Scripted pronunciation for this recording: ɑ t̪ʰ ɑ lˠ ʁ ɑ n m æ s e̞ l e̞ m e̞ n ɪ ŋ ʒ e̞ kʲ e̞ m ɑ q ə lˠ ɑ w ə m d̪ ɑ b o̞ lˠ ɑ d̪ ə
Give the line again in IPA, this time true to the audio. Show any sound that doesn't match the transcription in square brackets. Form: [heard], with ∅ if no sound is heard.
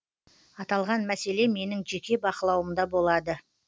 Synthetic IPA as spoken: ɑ [t̪] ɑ lˠ ʁ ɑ n m æ s e̞ l e̞ m e̞ n ɪ ŋ ʒ e̞ kʲ e̞ [b] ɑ q ə lˠ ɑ w ə m d̪ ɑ b o̞ lˠ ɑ d̪ ə

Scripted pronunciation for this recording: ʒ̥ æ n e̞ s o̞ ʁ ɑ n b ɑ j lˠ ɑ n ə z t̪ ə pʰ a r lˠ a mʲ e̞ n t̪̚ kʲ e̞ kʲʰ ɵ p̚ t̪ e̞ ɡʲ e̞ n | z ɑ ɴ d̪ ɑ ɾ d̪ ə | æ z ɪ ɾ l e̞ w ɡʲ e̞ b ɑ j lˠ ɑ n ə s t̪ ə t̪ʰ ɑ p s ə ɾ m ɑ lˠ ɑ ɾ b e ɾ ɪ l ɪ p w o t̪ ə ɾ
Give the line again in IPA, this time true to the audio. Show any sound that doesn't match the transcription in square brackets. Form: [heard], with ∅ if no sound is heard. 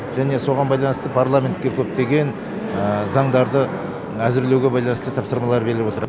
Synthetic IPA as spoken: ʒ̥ æ n e̞ s o̞ ʁ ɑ n b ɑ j lˠ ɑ n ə [s] t̪ ə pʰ a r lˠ a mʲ e̞ n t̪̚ kʲ e̞ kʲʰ ɵ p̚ t̪ e̞ ɡʲ e̞ n | z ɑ ɴ d̪ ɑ ɾ d̪ ə | æ z ɪ ɾ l e̞ w ɡʲ e̞ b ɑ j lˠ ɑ n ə s t̪ ə t̪ʰ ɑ p s ə ɾ m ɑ lˠ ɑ ɾ b e ɾ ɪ l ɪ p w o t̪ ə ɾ

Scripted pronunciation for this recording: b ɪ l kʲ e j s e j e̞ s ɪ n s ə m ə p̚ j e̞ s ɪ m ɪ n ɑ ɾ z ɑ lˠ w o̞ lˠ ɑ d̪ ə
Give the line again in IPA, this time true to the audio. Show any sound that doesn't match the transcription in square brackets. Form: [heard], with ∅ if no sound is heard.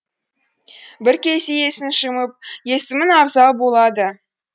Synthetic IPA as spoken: b ɪ [ɾ] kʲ e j s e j e̞ s ɪ n [ʃ] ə m ə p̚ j e̞ s ɪ m ɪ n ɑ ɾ z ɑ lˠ [b] o̞ lˠ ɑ d̪ ə

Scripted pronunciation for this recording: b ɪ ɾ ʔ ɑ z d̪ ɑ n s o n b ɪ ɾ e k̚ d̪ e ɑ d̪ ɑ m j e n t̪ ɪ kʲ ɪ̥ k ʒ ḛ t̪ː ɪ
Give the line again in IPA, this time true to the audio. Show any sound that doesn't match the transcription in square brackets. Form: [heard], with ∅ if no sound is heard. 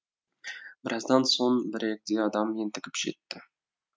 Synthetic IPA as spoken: b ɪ ɾ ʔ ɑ z d̪ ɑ n s o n b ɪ ɾ e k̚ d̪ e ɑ d̪ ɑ m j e n t̪ ɪ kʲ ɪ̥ [p] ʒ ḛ t̪ː ɪ

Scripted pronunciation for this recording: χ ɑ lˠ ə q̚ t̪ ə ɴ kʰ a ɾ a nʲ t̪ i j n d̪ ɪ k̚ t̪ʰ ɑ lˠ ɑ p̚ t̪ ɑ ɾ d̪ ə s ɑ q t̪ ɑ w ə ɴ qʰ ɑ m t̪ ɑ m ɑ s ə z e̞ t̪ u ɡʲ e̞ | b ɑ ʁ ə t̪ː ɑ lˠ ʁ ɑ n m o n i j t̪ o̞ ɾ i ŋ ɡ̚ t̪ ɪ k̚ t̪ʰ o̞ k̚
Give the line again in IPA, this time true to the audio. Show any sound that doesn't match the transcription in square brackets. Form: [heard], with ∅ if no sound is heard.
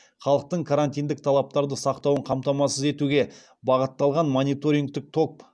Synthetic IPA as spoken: χ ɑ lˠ ə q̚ t̪ ə ɴ kʰ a ɾ a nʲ t̪ i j n d̪ ɪ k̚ t̪ʰ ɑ lˠ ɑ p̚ t̪ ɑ ɾ d̪ ə s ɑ q t̪ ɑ w ə ɴ qʰ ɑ m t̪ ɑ m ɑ s ə z e̞ t̪ u ɡʲ e̞ | b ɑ ʁ ə t̪ː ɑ lˠ ʁ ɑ n m o n i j t̪ o̞ ɾ i ŋ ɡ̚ t̪ ɪ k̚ t̪ʰ o̞ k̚

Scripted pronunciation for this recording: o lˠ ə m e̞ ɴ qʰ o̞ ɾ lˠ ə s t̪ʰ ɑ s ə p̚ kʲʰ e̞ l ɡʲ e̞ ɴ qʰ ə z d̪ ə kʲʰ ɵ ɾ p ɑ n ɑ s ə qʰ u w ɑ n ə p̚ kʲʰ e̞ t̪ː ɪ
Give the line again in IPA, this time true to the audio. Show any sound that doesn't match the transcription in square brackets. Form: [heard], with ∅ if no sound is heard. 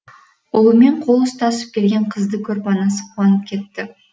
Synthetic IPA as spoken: o lˠ ə m e̞ ɴ qʰ o̞ [∅] lˠ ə s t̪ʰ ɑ s ə p̚ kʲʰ e̞ l ɡʲ e̞ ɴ qʰ ə z d̪ ə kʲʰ ɵ ɾ p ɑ n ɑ s ə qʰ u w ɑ n ə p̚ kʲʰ e̞ t̪ː ɪ

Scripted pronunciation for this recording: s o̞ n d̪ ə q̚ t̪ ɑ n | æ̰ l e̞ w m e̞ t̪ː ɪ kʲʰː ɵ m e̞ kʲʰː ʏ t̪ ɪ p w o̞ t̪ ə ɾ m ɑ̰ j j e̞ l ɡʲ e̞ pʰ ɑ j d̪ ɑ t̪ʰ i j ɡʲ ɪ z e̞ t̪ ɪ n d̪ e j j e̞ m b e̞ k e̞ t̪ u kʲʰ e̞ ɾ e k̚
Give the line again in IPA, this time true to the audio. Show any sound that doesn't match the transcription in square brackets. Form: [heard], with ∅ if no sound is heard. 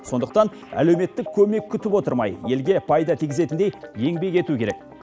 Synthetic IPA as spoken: s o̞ n d̪ ə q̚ t̪ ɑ n | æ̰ l e̞ w m e̞ t̪ː ɪ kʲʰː ɵ m e̞ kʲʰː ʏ t̪ ɪ p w o̞ t̪ ə ɾ m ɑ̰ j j e̞ l ɡʲ e̞ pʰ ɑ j d̪ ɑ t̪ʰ i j ɡʲ ɪ z e̞ t̪ ɪ n d̪ e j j e̞ [ŋ] b e̞ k e̞ t̪ u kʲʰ e̞ ɾ e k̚

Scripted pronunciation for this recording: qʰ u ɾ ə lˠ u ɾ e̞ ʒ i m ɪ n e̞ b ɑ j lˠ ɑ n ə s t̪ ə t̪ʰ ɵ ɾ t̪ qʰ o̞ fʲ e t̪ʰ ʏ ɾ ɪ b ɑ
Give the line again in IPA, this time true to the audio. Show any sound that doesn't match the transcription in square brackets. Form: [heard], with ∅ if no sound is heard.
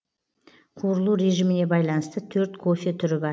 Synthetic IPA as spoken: qʰ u ɾ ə lˠ u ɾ e̞ ʒ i m ɪ n e̞ b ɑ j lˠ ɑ n ə s t̪ ə t̪ʰ ɵ ɾ t̪ [kʰ] o̞ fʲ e t̪ʰ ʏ ɾ ɪ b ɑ

